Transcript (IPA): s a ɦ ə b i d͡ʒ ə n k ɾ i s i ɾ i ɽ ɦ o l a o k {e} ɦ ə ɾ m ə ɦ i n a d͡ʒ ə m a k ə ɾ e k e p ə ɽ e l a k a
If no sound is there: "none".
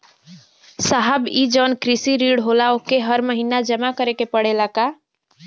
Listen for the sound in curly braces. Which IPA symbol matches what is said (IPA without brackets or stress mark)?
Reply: e